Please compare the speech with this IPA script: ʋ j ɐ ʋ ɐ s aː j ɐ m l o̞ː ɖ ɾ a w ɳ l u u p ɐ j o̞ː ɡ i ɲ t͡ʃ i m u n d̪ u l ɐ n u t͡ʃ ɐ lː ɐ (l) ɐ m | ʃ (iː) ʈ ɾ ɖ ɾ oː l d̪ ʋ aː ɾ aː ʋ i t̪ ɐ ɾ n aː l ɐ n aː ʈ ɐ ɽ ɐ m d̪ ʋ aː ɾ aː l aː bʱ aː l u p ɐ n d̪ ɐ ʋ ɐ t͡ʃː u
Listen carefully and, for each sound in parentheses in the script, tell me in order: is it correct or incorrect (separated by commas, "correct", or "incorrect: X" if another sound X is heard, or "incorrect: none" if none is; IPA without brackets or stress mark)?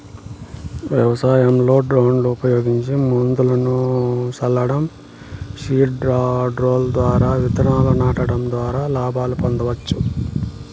incorrect: ɽ, correct